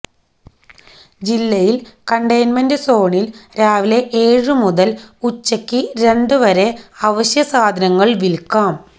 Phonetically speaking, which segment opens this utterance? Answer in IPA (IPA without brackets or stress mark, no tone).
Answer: d͡ʑ